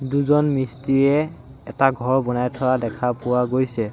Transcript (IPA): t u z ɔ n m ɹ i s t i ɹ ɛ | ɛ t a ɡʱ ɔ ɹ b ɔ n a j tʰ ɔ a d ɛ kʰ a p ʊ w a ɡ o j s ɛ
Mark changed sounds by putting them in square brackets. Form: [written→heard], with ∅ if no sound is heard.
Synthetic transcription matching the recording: [t→d] u z ɔ n m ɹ i s t i ɹ ɛ | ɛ t a ɡʱ ɔ ɹ b ɔ n a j tʰ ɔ a d ɛ kʰ a p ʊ w a ɡ o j s ɛ